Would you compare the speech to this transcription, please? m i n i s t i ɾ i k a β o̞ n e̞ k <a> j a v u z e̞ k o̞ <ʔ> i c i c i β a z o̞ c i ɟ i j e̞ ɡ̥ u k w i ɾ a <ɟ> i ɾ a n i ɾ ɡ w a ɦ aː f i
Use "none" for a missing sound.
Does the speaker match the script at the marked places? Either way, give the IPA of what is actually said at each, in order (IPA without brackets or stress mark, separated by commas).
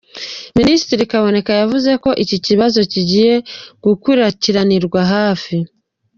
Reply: a, ʔ, c